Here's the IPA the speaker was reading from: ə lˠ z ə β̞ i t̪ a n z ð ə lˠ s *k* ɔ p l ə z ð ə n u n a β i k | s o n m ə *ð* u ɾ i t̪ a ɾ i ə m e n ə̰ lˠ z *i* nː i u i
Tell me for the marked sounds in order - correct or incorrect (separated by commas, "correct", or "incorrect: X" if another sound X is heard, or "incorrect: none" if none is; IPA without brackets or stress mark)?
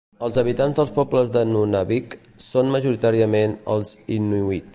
incorrect: p, incorrect: ʒ, correct